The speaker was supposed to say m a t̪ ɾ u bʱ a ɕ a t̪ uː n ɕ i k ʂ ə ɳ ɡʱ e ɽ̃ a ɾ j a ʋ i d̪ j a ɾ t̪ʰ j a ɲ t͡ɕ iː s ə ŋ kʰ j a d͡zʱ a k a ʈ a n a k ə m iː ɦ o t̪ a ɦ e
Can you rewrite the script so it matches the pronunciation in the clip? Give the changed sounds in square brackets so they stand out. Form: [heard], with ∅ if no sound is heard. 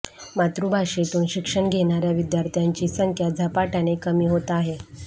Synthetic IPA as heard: m a t̪ ɾ u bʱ a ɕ [e] t̪ uː n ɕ i k ʂ ə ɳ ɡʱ e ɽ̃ a ɾ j a ʋ i d̪ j a ɾ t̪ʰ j a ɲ t͡ɕ iː s ə ŋ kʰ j a d͡zʱ a [p] a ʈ a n [e] k ə m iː ɦ o t̪ a ɦ e